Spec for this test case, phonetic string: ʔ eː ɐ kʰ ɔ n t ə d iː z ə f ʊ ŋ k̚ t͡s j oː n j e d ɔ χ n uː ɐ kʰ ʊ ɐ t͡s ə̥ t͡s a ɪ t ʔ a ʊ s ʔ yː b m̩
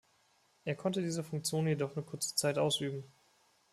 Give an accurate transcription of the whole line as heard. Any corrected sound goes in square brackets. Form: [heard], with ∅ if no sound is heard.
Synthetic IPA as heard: ʔ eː ɐ kʰ ɔ n t ə d iː z ə f ʊ ŋ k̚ t͡s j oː n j e d ɔ χ n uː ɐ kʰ ʊ ɐ t͡s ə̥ t͡s a ɪ t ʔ a ʊ s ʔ yː b m̩